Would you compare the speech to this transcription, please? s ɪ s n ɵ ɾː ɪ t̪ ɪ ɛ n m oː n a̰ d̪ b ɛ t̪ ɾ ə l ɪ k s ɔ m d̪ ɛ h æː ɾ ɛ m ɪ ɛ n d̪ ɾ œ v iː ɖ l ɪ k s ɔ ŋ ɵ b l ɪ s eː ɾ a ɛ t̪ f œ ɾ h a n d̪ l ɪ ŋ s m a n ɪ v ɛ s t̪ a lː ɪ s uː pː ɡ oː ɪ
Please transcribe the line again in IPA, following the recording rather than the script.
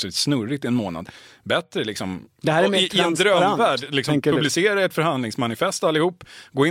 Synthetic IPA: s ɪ s n ɵ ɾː ɪ t̪ ɪ ɛ n m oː n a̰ d̪ b ɛ t̪ ɾ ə l ɪ k s ɔ m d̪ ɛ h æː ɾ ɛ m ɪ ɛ n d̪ ɾ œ v æː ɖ l ɪ k s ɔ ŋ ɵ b l ɪ s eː ɾ a ɛ t̪ f œ ɾ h a n d̪ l ɪ ŋ s m a n ɪ f ɛ s t̪ a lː ɪ h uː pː ɡ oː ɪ